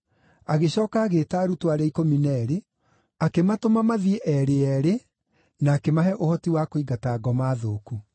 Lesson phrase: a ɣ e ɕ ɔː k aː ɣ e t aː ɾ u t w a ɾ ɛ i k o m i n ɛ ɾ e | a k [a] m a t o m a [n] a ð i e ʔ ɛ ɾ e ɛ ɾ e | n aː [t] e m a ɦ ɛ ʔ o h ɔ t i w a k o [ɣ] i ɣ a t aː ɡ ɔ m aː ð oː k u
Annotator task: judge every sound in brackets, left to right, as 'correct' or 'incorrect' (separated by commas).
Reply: incorrect, incorrect, incorrect, incorrect